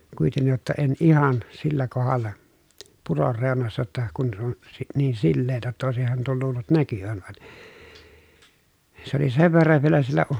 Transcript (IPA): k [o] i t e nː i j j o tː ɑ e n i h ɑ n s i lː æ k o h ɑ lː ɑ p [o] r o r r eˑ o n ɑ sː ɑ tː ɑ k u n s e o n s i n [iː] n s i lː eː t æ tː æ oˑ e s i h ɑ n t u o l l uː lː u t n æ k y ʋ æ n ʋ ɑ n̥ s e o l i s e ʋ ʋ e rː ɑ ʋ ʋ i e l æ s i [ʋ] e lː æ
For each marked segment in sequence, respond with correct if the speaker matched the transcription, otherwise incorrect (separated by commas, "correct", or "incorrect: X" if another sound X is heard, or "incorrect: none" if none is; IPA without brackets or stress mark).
incorrect: u, incorrect: u, correct, incorrect: none